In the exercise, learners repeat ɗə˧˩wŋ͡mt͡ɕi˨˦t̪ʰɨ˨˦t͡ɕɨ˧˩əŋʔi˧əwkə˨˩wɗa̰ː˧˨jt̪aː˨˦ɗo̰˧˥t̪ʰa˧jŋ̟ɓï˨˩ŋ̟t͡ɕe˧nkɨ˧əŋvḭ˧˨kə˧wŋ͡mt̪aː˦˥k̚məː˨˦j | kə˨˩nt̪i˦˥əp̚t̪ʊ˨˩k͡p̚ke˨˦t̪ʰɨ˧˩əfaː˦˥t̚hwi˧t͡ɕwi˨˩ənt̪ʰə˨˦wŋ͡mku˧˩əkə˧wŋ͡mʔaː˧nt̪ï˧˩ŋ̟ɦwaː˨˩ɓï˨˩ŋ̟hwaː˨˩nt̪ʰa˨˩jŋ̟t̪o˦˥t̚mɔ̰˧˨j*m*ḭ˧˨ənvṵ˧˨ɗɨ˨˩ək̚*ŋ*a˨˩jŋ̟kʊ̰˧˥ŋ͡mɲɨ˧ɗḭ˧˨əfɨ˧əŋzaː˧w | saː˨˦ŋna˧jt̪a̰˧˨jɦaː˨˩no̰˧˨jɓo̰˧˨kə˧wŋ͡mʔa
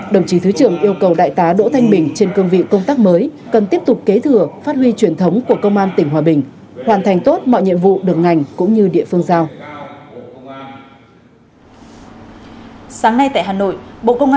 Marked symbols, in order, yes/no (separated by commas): no, yes